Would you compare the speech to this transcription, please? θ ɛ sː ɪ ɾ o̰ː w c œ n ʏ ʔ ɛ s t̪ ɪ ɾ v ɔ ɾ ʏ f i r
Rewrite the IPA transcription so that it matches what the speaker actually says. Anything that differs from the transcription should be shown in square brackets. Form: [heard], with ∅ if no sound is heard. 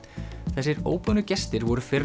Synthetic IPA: θ ɛ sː ɪ ɾ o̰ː w [p] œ n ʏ [c] ɛ s t̪ ɪ ɾ v ɔ ɾ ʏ f [ɪ] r